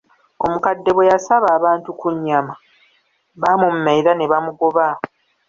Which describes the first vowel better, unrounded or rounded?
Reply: rounded